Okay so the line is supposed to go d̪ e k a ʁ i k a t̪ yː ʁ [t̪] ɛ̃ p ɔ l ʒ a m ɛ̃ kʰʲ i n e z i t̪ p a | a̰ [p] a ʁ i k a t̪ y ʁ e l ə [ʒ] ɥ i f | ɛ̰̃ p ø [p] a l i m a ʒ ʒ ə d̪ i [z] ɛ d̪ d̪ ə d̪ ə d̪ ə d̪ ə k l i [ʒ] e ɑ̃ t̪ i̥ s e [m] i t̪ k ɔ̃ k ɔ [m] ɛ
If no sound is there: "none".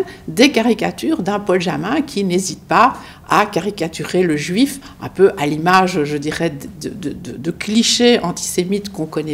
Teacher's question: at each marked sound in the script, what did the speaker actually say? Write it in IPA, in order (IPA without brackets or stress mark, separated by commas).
d̪, k, ʒ, ʔ, ʁ, ʃ, m, n